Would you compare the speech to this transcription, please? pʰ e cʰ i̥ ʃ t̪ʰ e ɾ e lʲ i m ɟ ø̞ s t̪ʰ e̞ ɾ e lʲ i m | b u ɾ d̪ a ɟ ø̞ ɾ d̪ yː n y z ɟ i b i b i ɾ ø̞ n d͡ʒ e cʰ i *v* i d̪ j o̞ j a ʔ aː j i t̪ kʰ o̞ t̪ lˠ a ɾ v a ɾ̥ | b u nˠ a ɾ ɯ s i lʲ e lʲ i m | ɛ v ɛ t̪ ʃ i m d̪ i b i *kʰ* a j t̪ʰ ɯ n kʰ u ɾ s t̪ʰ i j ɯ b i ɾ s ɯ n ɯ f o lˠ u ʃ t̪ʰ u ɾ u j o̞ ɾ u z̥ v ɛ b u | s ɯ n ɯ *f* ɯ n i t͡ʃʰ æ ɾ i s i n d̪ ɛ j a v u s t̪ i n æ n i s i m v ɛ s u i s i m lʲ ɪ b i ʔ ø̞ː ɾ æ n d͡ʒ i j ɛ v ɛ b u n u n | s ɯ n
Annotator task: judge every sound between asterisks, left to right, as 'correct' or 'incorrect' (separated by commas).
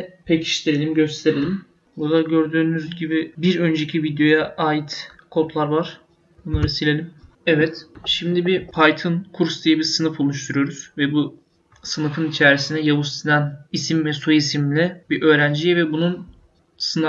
correct, incorrect, correct